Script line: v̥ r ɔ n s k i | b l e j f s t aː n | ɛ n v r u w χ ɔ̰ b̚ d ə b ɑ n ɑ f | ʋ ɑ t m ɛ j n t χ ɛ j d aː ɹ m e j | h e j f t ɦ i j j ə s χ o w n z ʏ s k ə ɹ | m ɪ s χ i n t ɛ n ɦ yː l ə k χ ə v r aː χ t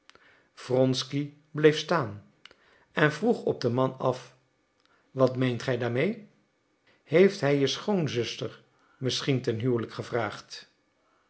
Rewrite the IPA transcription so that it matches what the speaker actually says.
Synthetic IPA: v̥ r ɔ n s k i | b l e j f s t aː n | ɛ n v r u χ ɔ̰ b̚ d ə m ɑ n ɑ f | ʋ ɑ t m e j n t χ ɛ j d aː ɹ m e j | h e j f t ɦ ɛ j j ə s χ o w n z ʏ s t ə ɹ | m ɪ s χ i n t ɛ n ɦ yː l ə k χ ə v r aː χ t